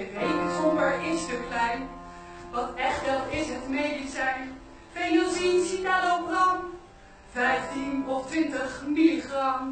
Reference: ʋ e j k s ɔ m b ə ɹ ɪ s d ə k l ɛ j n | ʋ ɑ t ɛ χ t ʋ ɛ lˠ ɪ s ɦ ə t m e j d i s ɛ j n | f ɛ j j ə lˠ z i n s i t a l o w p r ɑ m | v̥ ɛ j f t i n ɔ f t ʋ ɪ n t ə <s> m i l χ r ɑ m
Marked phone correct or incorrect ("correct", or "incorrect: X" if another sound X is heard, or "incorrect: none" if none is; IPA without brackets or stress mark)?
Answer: incorrect: χ